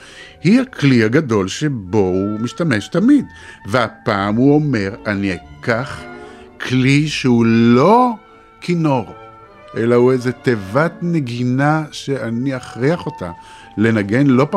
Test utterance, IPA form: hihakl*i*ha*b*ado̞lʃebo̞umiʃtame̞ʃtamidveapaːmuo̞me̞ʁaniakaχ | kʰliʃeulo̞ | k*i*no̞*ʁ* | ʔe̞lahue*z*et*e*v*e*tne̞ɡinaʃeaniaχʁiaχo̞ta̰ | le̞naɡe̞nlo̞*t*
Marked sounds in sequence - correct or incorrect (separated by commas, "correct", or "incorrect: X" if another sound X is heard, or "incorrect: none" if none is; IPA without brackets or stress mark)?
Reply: correct, incorrect: ɡ, correct, correct, correct, correct, incorrect: a, incorrect: p